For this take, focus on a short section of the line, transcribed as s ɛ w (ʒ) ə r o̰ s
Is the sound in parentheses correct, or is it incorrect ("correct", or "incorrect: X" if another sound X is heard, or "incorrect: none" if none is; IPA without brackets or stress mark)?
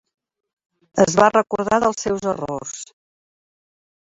incorrect: z